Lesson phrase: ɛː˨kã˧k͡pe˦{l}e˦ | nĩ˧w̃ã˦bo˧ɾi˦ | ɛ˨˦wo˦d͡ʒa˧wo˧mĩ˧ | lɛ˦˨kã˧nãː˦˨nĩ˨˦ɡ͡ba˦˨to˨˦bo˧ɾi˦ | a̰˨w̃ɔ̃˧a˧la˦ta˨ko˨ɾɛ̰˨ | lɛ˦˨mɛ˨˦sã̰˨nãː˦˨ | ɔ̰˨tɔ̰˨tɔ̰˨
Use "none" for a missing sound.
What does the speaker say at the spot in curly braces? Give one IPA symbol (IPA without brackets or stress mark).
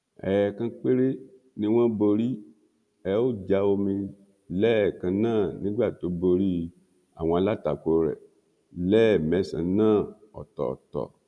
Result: ɾ